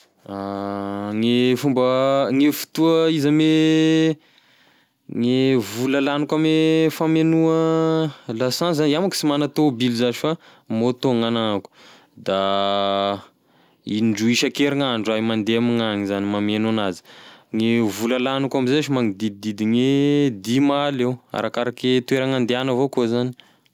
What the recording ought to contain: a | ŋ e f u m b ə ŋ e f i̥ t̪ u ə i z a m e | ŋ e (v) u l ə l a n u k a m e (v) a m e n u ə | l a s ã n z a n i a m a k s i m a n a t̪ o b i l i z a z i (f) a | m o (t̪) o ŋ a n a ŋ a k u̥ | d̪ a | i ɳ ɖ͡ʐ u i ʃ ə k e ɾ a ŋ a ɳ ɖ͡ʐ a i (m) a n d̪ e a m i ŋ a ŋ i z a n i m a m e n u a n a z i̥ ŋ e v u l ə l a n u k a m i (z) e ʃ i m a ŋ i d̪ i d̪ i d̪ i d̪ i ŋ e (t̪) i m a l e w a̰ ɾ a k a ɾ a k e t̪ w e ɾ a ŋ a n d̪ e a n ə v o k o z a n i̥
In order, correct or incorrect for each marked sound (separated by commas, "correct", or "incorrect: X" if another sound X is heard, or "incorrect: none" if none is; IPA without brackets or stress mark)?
correct, incorrect: f, correct, correct, correct, correct, incorrect: d̪